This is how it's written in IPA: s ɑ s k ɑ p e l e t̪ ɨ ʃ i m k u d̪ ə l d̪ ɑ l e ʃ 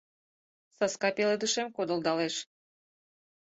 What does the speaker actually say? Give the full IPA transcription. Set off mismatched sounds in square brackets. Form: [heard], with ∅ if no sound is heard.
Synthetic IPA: s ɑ s k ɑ p e l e [d̪] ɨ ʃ [e] m k [o] d̪ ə l d̪ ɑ l e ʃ